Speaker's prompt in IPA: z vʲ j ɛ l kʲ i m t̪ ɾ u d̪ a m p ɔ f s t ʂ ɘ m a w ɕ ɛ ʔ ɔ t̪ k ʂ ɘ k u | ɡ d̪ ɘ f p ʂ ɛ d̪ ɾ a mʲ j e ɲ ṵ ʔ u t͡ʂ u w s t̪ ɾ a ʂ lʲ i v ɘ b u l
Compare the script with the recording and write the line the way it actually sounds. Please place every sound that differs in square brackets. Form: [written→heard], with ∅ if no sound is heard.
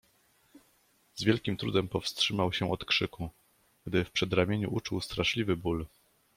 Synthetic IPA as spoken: z vʲ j ɛ l kʲ i m t̪ ɾ u d̪ [a→ɛ] m p ɔ f s t ʂ ɘ m a w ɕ ɛ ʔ ɔ t̪ k ʂ ɘ k u | ɡ d̪ ɘ f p ʂ ɛ d̪ ɾ a mʲ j e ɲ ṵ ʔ u t͡ʂ u w s t̪ ɾ a ʂ lʲ i v ɘ b u l